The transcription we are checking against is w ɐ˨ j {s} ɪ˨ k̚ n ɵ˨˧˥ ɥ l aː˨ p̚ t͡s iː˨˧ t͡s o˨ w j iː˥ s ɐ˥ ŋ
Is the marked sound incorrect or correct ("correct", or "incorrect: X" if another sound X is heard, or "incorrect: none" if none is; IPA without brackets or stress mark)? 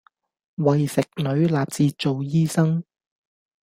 correct